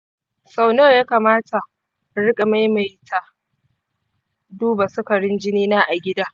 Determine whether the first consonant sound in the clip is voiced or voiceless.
voiceless